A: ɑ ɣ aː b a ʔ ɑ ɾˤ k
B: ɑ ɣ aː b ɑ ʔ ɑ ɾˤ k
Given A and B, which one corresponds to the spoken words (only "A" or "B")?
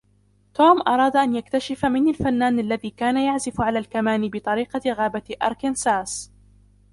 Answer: A